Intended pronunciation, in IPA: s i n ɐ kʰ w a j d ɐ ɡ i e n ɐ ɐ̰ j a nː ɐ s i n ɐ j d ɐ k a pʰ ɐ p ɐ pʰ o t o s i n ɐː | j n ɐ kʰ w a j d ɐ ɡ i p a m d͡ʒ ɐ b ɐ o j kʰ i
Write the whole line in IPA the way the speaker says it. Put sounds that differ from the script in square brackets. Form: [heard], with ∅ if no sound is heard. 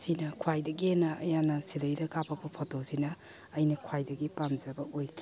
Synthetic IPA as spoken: s i n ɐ kʰ w a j d ɐ ɡ i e n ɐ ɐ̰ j a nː ɐ s i [d] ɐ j d ɐ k a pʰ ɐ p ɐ pʰ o t o s i n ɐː | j n ɐ kʰ w a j d ɐ ɡ i p a m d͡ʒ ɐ b ɐ o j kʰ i